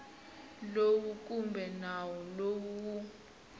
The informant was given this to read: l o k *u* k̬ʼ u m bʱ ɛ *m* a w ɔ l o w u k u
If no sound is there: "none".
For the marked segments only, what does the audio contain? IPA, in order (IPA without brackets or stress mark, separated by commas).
u, n